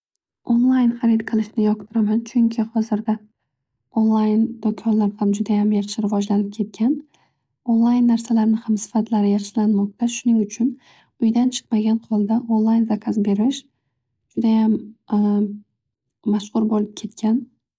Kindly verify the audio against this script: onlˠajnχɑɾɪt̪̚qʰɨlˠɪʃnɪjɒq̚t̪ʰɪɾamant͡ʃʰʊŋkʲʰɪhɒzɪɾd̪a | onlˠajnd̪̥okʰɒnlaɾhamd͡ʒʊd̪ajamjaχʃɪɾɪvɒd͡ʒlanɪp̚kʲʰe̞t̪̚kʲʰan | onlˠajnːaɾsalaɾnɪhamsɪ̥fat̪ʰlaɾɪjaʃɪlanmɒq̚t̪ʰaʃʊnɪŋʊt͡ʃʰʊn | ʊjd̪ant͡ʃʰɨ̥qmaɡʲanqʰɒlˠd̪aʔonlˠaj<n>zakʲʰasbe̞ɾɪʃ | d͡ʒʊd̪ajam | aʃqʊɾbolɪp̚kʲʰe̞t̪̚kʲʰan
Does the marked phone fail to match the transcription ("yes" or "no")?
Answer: no